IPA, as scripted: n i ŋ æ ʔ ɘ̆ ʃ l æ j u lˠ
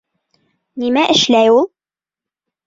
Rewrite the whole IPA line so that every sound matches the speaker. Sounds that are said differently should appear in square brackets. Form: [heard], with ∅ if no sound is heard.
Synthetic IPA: n i [m] æ ʔ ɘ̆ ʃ l æ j u lˠ